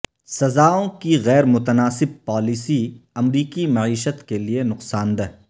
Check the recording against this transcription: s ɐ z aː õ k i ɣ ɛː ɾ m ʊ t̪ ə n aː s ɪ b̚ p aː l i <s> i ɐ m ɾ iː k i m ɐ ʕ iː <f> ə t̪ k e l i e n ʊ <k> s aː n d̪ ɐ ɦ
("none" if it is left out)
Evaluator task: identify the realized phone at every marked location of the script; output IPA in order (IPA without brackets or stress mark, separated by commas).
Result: s, ʃ, q